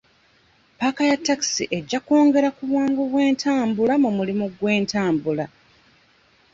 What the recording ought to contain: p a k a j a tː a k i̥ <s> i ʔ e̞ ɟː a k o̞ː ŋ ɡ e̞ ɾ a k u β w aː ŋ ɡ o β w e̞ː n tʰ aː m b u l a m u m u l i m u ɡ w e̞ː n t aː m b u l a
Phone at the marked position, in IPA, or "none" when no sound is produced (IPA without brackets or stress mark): s